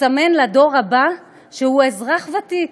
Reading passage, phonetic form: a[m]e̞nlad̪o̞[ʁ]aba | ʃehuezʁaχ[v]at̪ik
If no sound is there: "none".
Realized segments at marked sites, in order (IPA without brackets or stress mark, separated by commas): m, ʁ, v